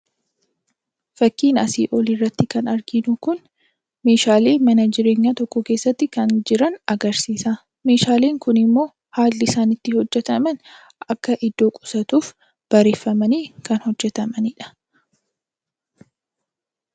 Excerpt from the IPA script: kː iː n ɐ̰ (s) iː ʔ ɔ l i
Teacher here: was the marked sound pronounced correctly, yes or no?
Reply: yes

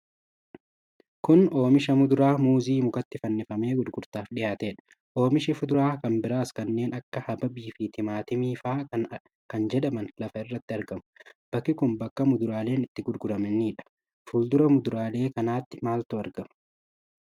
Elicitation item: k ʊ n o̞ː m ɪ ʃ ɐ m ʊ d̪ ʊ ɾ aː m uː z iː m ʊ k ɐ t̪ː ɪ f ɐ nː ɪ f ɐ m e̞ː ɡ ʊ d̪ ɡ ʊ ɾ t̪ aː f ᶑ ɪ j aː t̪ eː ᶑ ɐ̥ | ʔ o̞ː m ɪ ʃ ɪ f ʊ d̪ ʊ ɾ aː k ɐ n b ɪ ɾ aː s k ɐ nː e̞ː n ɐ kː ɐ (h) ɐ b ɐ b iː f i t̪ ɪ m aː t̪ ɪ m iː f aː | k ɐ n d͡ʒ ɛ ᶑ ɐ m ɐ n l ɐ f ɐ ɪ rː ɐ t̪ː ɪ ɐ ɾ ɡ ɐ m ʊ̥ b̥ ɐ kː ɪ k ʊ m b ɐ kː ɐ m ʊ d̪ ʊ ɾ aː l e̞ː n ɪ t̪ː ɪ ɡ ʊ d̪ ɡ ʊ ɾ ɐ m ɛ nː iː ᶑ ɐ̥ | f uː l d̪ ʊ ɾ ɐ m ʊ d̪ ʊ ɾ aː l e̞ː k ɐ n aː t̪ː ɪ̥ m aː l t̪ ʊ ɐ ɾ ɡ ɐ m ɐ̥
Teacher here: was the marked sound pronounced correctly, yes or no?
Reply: yes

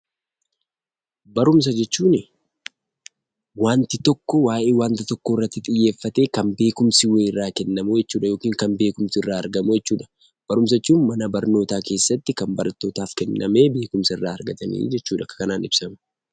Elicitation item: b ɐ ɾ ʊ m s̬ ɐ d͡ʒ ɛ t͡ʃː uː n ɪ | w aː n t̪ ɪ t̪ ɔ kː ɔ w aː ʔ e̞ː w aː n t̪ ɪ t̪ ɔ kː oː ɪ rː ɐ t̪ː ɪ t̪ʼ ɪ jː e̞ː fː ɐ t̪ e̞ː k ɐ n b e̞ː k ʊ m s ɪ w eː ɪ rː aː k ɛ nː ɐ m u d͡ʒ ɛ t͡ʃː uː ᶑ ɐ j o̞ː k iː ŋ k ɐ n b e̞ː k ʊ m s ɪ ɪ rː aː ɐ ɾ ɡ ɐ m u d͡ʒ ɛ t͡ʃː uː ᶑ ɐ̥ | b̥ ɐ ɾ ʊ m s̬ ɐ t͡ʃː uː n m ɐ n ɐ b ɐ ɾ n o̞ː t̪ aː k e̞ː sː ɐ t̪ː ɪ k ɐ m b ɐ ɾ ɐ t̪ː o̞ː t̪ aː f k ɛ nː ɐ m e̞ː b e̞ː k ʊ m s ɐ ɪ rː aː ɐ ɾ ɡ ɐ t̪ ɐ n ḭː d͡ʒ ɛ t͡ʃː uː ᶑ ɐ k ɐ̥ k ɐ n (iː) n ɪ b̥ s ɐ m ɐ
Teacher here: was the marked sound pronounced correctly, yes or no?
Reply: no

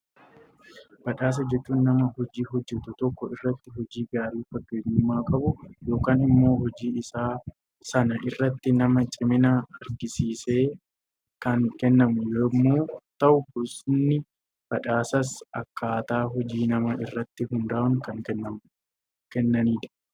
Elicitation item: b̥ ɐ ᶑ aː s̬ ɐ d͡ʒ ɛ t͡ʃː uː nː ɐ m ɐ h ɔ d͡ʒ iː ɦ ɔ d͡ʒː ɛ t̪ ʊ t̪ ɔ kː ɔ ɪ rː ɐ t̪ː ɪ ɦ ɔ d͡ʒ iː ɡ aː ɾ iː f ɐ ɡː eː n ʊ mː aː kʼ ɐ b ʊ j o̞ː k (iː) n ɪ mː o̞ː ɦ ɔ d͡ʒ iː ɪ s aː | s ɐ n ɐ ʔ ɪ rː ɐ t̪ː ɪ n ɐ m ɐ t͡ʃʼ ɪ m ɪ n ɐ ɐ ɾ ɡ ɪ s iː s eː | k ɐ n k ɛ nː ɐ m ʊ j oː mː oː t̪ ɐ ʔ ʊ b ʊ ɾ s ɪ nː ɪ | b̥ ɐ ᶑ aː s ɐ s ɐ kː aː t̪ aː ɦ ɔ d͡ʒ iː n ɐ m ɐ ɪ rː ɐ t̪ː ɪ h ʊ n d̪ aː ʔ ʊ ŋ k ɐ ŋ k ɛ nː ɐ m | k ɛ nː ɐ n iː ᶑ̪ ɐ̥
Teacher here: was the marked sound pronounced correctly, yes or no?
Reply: no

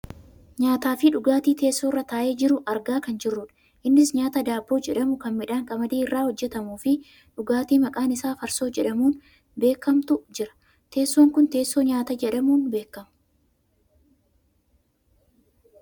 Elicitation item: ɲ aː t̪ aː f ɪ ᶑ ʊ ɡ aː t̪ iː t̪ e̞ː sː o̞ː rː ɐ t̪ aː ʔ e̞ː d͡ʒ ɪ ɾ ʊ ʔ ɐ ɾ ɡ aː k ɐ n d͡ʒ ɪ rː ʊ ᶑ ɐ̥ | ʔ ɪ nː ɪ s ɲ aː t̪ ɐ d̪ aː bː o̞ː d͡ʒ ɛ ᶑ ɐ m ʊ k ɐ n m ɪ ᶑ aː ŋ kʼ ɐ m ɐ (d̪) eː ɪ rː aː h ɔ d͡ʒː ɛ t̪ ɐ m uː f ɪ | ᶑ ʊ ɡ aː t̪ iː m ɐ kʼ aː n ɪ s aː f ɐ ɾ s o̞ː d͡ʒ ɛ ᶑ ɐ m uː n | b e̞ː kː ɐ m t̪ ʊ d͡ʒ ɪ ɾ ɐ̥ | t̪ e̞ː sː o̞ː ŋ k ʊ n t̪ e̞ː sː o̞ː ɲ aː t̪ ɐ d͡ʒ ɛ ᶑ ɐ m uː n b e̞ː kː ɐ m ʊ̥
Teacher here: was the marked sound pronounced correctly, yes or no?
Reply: yes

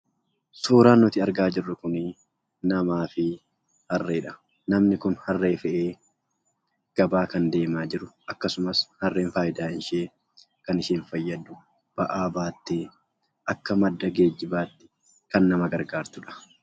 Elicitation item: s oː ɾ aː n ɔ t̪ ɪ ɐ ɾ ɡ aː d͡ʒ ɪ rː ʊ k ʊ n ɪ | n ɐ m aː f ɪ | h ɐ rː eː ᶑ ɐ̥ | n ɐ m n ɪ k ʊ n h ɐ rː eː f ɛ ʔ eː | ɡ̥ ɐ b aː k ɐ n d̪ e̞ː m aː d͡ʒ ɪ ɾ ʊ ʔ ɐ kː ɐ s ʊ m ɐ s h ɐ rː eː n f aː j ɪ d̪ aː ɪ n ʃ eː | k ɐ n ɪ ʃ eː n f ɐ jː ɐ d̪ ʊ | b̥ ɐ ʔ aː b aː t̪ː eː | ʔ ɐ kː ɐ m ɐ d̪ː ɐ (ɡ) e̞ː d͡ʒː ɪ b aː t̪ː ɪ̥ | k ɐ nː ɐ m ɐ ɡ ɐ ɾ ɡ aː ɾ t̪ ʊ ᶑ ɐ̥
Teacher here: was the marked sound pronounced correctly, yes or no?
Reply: yes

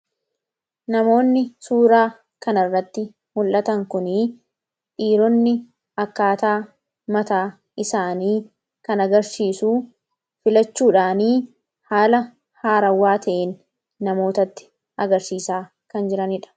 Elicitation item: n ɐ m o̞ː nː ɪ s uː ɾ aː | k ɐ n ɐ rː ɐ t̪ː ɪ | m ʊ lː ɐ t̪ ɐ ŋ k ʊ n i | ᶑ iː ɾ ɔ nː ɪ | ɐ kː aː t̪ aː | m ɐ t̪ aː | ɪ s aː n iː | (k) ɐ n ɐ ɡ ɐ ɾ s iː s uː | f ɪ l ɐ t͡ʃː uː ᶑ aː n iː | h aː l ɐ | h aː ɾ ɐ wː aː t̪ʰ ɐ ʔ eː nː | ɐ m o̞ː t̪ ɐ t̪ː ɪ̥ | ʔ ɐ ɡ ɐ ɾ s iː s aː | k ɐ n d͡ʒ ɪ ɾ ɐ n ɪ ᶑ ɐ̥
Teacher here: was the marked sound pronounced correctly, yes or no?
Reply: yes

